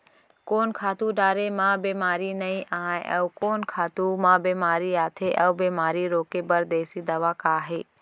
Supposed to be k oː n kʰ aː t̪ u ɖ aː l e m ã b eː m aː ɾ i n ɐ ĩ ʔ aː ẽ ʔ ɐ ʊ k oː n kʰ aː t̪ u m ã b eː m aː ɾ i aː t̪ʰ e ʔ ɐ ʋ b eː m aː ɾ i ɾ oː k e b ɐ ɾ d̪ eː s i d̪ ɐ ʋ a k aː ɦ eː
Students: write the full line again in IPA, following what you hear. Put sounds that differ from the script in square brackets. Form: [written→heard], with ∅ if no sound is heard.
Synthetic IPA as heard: k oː n kʰ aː t̪ u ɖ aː [l→ɾ] e m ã b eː m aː ɾ i n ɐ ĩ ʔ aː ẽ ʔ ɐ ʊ k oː n kʰ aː t̪ u m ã b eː m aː ɾ i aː t̪ʰ e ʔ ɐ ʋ b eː m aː ɾ i ɾ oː k e b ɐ ɾ d̪ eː s i d̪ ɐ ʋ a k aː ɦ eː